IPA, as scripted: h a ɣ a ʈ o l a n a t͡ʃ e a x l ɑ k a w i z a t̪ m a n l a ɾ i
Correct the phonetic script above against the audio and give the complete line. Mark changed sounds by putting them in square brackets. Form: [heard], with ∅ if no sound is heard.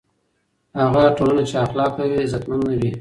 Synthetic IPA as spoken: h a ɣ a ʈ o l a n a t͡ʃ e a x l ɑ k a w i z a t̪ m a n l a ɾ i